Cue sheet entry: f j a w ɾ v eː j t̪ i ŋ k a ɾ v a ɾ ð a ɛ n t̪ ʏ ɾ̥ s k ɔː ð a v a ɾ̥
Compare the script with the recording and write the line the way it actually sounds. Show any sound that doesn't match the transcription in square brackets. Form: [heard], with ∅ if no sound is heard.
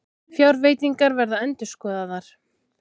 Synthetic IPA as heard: f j a w ɾ v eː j t̪ i ŋ k a ɾ v [ɛ] ɾ ð a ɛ n t̪ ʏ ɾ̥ s k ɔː ð a [ð] a ɾ̥